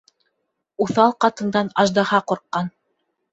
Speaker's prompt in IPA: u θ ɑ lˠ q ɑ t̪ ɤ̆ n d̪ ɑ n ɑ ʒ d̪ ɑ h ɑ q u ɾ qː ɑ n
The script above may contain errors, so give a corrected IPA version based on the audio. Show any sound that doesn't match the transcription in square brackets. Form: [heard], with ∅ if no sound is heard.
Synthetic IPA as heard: u θ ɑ lˠ q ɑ t̪ ɤ̆ n d̪ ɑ n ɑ ʒ d̪ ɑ h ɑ q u ɾ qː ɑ n